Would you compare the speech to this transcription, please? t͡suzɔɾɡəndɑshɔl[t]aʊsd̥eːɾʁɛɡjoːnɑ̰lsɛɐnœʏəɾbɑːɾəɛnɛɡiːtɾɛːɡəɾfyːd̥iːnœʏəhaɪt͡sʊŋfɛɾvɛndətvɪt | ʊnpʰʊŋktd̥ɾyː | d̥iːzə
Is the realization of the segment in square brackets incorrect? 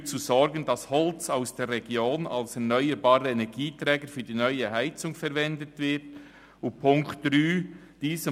yes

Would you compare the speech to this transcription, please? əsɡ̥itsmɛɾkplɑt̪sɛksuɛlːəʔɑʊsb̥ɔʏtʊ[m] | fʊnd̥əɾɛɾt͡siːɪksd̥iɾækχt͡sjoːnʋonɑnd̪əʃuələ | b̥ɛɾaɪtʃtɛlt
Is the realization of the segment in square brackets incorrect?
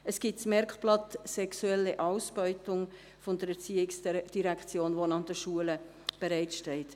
yes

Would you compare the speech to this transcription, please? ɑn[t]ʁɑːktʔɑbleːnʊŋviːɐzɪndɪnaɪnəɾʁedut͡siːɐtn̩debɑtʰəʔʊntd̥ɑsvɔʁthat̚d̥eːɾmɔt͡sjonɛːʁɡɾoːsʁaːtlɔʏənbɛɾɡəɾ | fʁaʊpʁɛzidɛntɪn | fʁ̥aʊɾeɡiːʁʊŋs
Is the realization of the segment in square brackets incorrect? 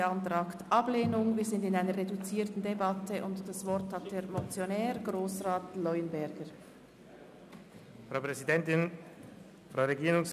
no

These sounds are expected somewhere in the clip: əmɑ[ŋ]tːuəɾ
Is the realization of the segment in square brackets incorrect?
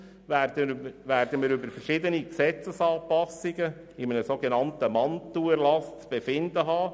yes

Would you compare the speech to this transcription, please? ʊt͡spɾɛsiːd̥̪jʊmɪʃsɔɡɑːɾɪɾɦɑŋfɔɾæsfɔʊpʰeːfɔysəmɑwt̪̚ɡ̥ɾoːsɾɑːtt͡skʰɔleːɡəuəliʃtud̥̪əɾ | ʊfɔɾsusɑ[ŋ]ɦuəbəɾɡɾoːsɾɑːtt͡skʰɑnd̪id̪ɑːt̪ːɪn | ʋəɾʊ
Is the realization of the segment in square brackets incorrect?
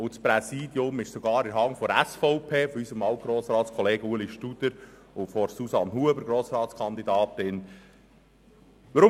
yes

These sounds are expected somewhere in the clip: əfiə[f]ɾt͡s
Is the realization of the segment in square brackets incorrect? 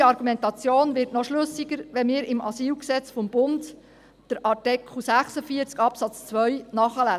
yes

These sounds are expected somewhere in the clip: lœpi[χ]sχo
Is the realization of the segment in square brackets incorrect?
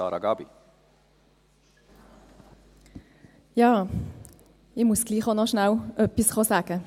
yes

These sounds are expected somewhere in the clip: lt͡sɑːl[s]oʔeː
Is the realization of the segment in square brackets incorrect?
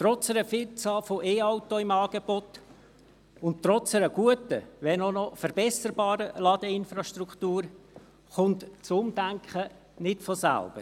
yes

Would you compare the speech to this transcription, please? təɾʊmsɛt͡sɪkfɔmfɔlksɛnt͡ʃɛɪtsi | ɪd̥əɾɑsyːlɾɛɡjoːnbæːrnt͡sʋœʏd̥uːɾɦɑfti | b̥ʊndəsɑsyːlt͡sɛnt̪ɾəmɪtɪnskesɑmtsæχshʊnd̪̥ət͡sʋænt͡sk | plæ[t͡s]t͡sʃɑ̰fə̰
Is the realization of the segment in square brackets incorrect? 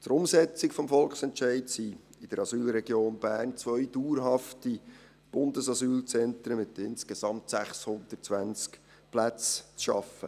no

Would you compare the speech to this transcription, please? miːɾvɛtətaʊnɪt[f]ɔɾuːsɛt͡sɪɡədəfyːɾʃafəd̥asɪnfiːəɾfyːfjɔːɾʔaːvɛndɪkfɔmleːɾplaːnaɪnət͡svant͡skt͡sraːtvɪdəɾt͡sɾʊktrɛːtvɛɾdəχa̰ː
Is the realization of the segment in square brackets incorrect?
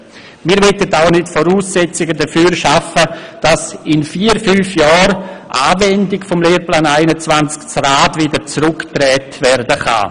no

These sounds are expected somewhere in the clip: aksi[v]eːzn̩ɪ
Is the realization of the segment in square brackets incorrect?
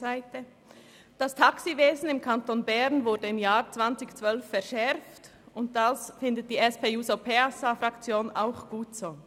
no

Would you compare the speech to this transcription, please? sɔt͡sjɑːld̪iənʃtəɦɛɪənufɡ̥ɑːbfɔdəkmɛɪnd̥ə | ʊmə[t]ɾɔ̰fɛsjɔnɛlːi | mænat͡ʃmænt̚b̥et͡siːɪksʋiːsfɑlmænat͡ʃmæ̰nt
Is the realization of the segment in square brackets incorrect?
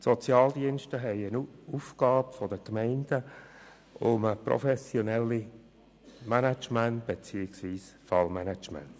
yes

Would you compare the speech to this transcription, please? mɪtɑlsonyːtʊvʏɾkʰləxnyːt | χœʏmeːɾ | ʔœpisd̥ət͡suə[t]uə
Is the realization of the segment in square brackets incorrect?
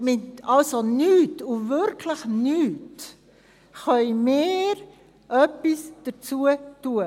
no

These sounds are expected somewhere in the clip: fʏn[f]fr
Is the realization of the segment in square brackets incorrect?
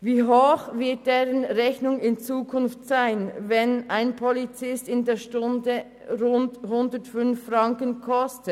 no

